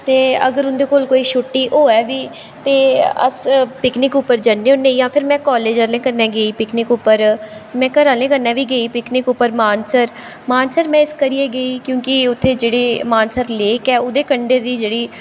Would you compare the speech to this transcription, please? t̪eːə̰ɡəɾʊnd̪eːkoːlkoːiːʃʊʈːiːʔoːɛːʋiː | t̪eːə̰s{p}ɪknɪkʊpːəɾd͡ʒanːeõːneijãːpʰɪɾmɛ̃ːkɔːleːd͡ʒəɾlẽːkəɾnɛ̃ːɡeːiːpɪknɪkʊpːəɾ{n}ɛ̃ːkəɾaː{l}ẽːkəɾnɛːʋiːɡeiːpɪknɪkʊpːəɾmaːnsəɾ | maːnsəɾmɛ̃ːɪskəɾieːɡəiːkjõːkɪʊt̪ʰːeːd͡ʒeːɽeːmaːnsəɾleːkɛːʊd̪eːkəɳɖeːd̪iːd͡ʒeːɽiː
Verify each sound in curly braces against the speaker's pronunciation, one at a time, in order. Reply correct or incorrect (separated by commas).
correct, incorrect, correct